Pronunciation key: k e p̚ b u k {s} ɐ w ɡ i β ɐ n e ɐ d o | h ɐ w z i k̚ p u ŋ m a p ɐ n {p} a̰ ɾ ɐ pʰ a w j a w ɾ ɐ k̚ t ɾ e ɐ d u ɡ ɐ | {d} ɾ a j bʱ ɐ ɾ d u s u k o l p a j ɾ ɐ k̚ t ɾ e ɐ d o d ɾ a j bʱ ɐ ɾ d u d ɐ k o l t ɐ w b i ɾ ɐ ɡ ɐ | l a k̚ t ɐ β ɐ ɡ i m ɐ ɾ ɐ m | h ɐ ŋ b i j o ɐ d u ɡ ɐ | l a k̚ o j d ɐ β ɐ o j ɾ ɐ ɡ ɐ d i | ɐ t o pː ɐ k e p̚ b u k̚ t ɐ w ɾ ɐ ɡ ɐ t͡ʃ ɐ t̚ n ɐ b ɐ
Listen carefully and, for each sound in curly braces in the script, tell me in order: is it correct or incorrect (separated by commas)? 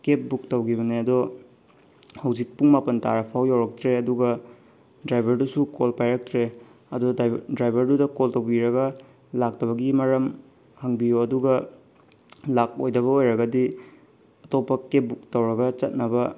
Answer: incorrect, incorrect, correct